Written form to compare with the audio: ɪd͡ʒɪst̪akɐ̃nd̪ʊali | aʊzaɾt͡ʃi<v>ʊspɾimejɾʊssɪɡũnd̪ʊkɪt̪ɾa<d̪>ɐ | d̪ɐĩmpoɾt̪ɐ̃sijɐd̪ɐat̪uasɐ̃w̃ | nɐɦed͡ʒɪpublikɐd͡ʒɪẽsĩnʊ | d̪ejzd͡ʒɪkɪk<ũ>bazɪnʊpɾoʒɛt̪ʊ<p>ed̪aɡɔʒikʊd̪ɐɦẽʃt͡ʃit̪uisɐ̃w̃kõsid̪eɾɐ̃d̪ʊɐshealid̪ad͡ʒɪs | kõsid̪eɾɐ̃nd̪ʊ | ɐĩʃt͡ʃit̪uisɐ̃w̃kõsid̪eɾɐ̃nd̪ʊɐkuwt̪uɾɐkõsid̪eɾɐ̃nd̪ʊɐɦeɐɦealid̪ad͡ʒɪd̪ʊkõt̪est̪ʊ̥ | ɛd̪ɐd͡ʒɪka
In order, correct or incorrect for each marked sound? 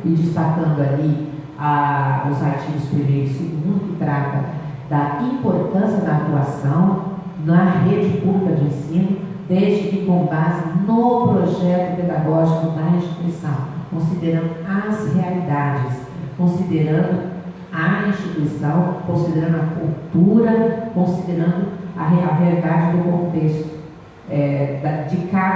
correct, incorrect: t̪, incorrect: õ, correct

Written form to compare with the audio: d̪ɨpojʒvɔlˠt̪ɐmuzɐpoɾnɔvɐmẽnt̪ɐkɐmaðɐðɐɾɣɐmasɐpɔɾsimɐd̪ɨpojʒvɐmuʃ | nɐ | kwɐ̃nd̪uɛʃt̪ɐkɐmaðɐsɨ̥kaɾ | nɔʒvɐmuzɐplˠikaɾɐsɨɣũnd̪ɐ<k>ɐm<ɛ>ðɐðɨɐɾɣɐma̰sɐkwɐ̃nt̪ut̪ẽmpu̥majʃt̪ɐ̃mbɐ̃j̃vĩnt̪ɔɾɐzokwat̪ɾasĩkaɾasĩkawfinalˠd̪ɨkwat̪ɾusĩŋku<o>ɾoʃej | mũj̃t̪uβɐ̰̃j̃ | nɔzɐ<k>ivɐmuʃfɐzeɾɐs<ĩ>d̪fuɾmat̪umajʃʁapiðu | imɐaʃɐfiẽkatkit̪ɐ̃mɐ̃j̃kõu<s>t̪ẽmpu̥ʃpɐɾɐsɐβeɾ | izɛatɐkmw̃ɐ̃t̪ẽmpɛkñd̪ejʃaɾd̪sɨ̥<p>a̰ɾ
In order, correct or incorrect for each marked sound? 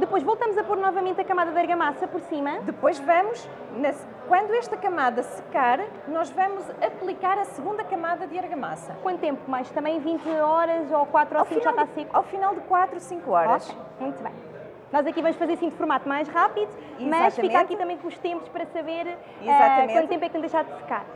correct, incorrect: a, incorrect: ɔ, correct, correct, incorrect: ʃ, incorrect: k

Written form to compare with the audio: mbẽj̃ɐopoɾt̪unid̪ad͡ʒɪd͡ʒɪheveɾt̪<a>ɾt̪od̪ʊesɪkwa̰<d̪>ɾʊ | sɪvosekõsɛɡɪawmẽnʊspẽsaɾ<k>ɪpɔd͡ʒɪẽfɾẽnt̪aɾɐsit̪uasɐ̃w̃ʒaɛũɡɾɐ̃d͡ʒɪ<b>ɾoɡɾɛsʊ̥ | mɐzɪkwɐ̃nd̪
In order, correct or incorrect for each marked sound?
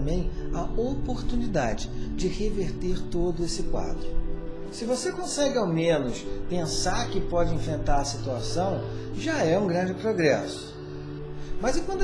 incorrect: e, correct, correct, incorrect: p

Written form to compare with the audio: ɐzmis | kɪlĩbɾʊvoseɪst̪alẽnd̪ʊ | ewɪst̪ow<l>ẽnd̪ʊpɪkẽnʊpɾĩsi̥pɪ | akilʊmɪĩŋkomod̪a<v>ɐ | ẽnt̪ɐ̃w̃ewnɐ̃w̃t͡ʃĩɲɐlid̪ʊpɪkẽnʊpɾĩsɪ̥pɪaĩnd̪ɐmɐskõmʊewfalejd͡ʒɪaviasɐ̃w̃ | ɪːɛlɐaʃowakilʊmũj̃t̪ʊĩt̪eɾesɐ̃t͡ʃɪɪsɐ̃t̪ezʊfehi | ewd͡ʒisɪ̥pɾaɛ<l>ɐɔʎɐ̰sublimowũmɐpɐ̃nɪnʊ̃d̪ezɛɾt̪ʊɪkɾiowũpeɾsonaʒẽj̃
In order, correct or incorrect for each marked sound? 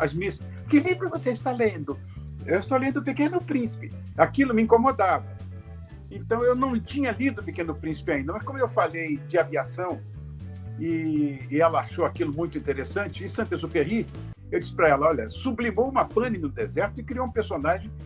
correct, correct, correct

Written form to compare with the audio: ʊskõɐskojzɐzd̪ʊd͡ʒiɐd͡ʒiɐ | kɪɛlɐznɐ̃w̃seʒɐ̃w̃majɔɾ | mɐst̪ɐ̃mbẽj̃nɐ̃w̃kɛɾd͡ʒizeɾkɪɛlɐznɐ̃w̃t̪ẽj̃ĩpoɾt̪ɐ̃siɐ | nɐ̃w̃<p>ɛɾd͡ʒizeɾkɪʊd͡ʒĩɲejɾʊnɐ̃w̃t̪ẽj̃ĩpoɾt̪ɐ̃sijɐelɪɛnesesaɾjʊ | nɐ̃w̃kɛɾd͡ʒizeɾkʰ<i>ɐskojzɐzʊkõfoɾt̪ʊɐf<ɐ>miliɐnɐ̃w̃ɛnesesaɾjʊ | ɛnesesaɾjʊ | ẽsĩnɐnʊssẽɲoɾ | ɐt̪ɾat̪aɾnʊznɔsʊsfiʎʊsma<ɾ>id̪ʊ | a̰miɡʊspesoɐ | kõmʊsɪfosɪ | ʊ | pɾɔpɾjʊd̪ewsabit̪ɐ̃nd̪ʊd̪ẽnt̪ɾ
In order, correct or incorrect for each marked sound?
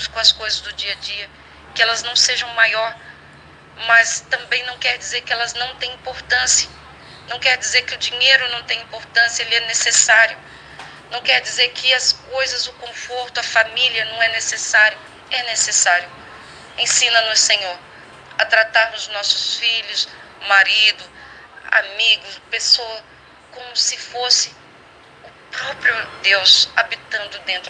incorrect: k, incorrect: ɪ, incorrect: a, correct

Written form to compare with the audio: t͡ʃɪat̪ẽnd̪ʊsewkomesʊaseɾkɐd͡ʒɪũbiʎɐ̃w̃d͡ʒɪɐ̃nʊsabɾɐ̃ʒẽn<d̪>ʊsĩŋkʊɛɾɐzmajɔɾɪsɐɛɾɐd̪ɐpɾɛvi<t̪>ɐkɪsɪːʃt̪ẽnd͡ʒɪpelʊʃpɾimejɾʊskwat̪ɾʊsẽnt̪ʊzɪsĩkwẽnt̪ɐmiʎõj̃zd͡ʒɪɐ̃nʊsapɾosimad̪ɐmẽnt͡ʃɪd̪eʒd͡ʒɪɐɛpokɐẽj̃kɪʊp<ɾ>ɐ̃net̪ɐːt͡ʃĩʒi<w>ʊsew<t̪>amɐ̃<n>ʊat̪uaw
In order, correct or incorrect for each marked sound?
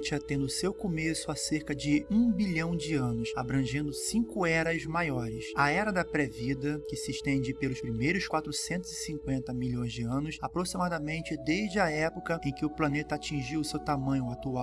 correct, incorrect: d̪, incorrect: l, correct, correct, incorrect: ɲ

